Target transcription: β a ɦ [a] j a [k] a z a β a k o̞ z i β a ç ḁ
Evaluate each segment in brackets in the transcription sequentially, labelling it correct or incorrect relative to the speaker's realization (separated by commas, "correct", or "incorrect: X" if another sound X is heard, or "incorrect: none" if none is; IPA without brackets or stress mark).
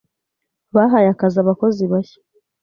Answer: correct, correct